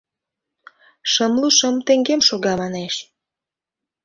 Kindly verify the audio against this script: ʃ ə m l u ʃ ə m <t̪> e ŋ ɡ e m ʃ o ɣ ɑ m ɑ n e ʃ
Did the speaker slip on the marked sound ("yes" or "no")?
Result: no